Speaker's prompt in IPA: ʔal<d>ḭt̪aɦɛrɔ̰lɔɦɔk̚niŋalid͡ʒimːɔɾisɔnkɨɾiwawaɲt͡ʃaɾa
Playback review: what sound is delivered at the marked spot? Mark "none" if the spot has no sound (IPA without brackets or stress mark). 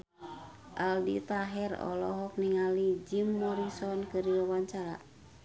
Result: d